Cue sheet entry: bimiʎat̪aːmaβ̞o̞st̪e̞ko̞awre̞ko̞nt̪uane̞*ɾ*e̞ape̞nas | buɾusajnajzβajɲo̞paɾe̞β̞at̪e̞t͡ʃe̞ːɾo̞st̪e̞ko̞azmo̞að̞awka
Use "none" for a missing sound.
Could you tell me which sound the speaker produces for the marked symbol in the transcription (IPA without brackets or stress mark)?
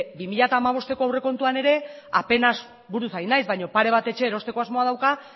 ɾ